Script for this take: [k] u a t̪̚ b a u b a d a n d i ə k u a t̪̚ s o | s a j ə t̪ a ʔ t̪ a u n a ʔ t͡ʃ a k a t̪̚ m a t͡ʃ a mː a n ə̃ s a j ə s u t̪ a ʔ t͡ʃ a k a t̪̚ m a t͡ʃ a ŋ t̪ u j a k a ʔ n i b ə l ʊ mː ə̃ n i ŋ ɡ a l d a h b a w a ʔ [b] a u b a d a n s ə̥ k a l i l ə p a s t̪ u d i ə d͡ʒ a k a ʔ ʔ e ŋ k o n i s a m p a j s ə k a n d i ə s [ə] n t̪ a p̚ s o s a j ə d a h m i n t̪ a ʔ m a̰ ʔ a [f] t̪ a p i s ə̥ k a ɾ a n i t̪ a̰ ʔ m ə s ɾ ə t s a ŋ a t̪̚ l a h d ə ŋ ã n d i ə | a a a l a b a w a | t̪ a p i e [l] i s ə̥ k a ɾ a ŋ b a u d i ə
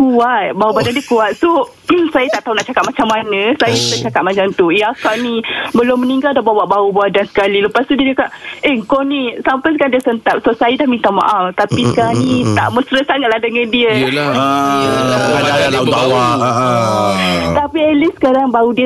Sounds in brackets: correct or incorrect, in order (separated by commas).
correct, correct, correct, correct, correct